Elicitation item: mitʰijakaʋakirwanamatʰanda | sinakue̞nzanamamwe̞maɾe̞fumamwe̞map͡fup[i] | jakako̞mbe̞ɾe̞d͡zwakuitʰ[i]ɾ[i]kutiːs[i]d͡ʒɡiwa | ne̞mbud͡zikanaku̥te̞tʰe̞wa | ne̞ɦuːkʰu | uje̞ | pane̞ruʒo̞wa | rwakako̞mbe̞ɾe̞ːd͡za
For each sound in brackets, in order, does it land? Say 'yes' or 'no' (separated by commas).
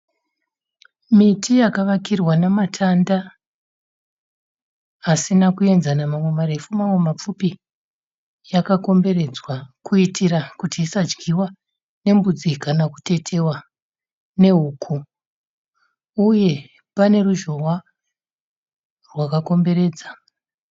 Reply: yes, yes, no, no